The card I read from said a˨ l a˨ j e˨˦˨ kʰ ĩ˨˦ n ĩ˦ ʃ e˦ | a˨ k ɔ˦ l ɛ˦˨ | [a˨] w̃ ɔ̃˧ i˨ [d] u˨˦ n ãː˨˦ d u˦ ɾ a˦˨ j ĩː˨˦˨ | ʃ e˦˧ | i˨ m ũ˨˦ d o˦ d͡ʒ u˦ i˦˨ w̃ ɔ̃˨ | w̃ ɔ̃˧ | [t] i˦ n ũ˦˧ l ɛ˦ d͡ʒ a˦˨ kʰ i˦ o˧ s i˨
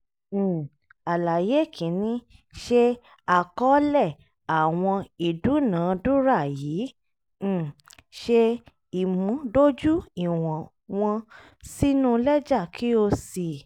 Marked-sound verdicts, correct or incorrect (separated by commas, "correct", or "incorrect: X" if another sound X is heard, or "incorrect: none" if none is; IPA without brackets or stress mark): correct, correct, incorrect: s